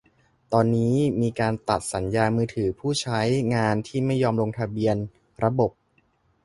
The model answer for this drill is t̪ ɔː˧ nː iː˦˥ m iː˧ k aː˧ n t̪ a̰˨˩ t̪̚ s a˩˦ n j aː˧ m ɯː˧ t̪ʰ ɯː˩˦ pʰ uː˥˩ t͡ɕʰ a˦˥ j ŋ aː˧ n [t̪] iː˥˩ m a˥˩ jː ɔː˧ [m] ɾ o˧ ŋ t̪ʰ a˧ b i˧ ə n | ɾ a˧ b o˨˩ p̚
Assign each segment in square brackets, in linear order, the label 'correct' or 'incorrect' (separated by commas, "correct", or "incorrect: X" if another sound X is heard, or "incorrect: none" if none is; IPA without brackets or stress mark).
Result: incorrect: t̪ʰ, correct